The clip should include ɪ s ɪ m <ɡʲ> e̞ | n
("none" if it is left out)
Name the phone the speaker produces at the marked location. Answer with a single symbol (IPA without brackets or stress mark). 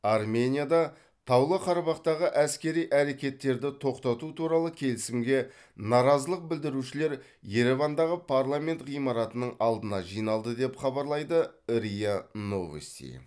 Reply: ɡʲ